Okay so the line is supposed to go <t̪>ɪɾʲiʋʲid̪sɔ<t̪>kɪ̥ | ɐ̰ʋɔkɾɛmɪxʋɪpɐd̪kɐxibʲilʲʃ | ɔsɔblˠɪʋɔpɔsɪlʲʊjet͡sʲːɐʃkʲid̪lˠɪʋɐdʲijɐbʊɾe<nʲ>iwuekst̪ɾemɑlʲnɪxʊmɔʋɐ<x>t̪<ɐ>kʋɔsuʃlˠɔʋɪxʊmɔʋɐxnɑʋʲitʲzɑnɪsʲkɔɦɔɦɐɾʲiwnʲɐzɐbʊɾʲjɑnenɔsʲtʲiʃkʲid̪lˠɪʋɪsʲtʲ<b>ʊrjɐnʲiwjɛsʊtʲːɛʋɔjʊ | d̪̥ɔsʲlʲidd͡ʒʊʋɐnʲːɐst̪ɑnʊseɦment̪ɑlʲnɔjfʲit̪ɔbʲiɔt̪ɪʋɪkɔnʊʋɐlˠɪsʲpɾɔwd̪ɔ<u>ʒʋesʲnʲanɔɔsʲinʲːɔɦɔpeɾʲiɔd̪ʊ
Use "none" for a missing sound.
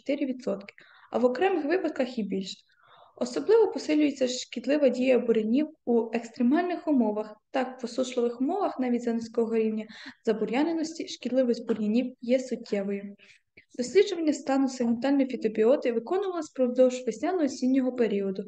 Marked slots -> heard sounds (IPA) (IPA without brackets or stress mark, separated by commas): t̪, t̪, nʲ, x, ɑ, b, w